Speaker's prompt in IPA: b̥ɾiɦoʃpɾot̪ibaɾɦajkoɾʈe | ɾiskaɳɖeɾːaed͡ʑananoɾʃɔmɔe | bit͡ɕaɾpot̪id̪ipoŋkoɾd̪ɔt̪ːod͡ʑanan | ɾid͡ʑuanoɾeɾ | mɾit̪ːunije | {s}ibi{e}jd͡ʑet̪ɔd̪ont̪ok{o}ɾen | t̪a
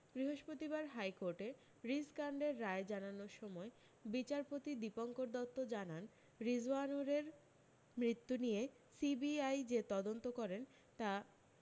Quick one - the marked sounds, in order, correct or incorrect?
correct, incorrect: a, incorrect: ɔ

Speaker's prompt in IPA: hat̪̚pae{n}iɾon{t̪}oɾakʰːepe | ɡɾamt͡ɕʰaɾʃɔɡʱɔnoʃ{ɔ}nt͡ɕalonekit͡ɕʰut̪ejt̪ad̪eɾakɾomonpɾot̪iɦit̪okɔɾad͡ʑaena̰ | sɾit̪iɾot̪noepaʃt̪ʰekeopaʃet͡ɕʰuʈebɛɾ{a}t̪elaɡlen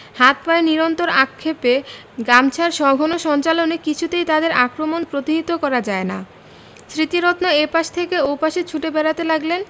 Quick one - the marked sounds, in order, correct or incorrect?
correct, correct, correct, correct

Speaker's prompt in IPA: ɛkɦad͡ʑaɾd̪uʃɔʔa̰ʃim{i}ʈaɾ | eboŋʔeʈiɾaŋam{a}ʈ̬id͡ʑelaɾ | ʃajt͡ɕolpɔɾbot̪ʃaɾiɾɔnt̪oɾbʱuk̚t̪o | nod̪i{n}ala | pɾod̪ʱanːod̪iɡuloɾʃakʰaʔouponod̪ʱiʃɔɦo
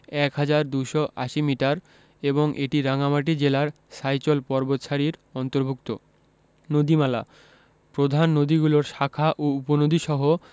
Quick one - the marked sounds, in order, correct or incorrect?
correct, correct, incorrect: m

